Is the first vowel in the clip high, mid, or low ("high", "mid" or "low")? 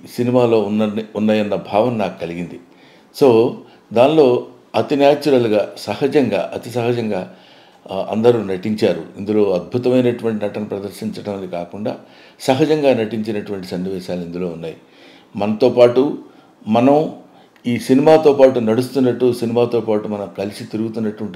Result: high